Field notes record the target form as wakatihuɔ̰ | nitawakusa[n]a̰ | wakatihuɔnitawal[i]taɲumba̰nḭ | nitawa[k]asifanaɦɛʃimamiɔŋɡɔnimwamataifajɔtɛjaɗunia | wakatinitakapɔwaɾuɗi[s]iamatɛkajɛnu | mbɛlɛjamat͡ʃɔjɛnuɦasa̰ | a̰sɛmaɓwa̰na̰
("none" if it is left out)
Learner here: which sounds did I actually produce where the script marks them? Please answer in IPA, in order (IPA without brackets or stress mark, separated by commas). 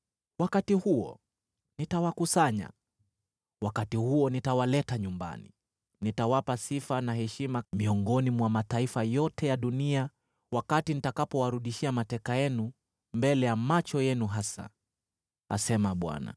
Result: ɲ, ɛ, p, ʃ